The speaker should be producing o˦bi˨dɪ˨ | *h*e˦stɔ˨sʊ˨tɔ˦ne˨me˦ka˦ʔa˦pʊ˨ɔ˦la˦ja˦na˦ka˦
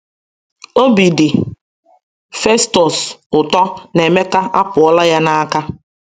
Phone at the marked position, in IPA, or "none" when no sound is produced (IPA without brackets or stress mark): f